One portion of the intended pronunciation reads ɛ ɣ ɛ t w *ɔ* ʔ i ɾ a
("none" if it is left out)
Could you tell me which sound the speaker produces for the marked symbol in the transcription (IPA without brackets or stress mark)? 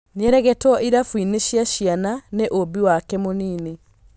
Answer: ɔ